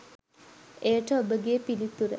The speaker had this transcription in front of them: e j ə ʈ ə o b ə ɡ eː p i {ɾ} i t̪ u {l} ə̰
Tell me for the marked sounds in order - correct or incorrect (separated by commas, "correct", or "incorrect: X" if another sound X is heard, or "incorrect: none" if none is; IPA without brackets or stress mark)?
incorrect: l, incorrect: ɾ